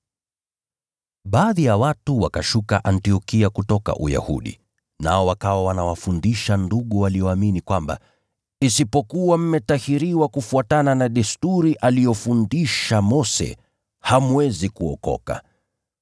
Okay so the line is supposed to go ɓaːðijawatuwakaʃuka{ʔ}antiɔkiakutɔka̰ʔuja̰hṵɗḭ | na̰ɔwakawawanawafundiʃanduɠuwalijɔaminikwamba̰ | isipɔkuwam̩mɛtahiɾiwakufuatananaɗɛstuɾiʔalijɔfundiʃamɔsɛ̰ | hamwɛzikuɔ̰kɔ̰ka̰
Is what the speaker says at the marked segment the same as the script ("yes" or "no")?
yes